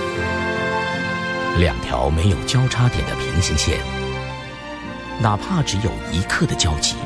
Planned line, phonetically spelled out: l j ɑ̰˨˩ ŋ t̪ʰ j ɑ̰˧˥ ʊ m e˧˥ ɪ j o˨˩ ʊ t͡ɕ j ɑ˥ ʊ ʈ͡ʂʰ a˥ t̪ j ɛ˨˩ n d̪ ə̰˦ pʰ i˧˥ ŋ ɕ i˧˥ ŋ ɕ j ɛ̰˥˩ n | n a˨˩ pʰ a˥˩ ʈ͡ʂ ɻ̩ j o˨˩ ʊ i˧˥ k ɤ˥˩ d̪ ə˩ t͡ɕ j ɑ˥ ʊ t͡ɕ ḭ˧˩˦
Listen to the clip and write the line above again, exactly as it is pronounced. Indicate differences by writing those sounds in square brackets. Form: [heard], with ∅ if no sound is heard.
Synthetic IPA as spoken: l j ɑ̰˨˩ ŋ t̪ʰ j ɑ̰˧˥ ʊ m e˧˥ ɪ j o˨˩ ʊ t͡ɕ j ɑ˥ ʊ ʈ͡ʂʰ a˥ t̪ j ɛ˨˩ n d̪ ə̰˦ pʰ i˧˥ ŋ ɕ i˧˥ ŋ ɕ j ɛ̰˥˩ n | n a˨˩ pʰ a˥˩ ʈ͡ʂ ɻ̩ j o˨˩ ʊ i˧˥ [kʰ] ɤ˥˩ d̪ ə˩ t͡ɕ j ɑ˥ ʊ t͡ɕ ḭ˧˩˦